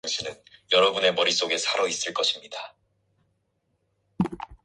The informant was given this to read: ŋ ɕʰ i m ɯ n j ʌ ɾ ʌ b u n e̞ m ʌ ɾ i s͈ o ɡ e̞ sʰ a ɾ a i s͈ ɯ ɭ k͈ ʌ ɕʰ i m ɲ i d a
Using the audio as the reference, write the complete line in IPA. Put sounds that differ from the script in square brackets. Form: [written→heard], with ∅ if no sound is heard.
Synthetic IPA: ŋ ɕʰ i [m→n] ɯ n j ʌ ɾ ʌ b u n e̞ m ʌ ɾ i s͈ o ɡ e̞ sʰ a ɾ [a→ʌ] i s͈ ɯ ɭ k͈ ʌ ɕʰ i m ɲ i d a